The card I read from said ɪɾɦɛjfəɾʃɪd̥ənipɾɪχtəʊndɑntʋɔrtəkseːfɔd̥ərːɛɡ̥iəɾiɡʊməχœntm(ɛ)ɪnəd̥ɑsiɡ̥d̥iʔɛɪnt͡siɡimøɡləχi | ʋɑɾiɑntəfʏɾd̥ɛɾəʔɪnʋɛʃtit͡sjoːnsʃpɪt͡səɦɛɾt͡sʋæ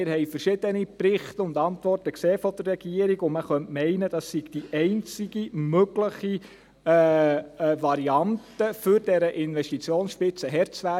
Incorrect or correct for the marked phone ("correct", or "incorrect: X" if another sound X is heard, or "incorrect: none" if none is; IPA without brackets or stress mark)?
correct